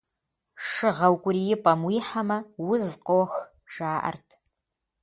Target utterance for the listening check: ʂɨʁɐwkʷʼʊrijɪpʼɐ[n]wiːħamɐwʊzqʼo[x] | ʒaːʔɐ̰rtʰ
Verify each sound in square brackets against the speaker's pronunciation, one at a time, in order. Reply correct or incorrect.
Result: incorrect, correct

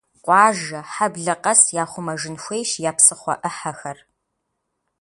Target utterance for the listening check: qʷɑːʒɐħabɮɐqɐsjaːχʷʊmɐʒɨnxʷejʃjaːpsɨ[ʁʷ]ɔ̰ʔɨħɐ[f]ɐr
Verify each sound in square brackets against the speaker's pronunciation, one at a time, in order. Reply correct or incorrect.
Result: incorrect, incorrect

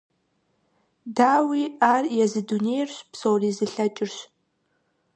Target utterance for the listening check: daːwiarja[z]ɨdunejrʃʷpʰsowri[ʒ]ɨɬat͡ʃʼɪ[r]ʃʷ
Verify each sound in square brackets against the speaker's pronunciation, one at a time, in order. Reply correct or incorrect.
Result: correct, incorrect, correct

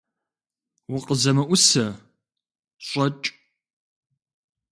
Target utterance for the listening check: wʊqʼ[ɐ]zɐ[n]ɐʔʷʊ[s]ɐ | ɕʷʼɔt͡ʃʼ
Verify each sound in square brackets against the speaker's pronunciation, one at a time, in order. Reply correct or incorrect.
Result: incorrect, incorrect, correct

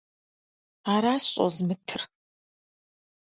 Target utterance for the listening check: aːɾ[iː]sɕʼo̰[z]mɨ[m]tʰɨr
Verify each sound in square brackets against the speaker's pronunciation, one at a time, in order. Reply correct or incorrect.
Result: incorrect, correct, incorrect

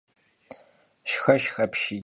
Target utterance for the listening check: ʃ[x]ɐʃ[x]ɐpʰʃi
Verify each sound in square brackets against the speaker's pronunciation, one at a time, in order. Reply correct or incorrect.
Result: correct, correct

